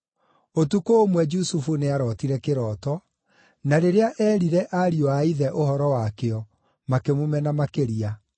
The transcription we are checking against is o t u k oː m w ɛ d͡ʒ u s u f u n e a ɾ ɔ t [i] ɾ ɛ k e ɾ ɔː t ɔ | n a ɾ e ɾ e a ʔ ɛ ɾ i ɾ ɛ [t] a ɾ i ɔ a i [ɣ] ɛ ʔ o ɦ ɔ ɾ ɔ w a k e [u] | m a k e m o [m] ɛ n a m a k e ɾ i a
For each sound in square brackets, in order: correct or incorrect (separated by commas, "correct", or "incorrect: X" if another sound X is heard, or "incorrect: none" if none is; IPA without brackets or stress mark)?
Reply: correct, incorrect: ʔ, incorrect: ð, incorrect: ɔ, correct